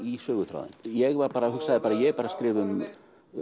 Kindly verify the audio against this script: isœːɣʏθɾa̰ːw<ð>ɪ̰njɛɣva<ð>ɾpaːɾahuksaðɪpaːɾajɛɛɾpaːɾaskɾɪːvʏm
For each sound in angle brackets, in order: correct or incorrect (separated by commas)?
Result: correct, incorrect